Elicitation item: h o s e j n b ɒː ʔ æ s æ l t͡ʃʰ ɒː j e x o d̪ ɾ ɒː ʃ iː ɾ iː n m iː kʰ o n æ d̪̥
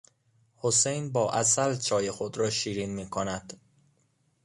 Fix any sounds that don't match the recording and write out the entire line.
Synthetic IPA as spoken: h o s e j n b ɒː ʔ æ s æ l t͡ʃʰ ɒː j e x o d̪ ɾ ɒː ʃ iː ɾ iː n m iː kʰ o n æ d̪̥